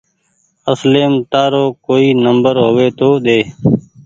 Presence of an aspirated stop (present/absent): absent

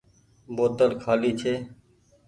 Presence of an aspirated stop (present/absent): present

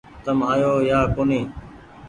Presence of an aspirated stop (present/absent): absent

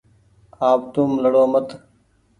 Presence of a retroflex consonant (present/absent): present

